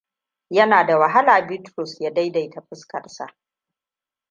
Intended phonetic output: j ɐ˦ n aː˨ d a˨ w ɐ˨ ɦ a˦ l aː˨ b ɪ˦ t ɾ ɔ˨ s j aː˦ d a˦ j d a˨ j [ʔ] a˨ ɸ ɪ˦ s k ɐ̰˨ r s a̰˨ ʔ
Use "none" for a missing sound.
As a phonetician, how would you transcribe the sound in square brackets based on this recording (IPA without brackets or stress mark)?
t